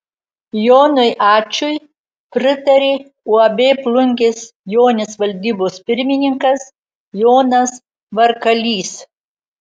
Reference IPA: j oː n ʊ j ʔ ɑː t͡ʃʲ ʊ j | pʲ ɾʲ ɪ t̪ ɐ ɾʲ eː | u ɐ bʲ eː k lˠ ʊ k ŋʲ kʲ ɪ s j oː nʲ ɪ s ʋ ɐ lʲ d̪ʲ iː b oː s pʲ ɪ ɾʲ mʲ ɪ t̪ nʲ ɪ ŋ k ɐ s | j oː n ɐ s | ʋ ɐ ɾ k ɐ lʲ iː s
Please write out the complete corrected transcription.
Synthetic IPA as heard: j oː n ʊ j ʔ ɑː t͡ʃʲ ʊ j | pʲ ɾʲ ɪ t̪ ɐ ɾʲ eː | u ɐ bʲ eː p lˠ ʊ ŋʲ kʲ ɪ s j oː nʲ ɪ s ʋ ɐ lʲ d̪ʲ iː b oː s pʲ ɪ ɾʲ mʲ ɪ nʲ ɪ ŋ k ɐ s | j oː n ɐ s | ʋ ɐ ɾ k ɐ lʲ iː s